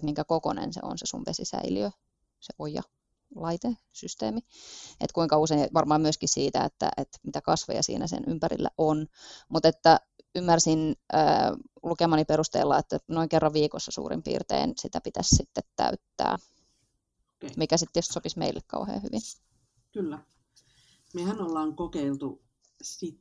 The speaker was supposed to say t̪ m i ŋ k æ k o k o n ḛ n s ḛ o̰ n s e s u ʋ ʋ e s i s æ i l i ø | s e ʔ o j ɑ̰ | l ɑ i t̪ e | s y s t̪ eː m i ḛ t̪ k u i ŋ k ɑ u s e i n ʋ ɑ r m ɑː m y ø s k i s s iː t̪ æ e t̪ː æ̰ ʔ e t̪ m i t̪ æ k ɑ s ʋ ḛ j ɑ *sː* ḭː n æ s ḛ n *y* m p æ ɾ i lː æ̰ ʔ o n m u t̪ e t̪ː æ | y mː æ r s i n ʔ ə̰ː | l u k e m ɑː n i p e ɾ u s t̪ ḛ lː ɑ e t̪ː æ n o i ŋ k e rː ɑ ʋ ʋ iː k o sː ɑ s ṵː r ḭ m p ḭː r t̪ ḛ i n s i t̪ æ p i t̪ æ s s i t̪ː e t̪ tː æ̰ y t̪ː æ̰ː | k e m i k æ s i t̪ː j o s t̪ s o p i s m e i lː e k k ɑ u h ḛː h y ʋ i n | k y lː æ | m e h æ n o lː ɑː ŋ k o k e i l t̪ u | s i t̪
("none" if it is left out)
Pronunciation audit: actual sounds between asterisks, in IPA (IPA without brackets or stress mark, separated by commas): s, y